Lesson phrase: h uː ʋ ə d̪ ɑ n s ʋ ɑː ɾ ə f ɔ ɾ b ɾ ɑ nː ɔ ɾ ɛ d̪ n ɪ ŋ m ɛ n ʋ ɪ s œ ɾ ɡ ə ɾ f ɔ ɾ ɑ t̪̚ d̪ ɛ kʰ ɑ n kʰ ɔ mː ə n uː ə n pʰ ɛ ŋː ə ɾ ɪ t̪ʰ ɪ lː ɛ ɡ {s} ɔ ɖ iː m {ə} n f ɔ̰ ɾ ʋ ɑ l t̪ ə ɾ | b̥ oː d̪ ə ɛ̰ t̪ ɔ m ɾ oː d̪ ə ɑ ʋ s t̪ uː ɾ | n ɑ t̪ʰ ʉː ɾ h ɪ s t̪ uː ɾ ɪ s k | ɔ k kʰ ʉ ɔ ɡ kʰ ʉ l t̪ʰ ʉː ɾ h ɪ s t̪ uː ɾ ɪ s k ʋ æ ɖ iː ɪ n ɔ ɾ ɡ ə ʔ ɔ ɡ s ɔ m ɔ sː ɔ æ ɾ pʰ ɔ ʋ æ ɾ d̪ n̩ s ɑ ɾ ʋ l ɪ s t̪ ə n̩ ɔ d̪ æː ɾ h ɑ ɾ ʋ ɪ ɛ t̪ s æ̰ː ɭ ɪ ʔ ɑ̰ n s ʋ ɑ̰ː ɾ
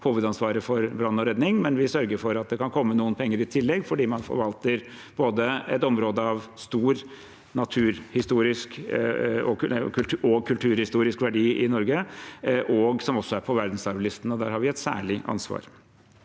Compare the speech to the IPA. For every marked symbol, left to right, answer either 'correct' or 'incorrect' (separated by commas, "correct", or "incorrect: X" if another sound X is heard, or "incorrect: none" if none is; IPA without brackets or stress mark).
incorrect: f, incorrect: ɑ